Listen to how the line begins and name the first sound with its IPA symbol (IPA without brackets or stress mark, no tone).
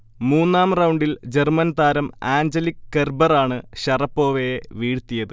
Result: m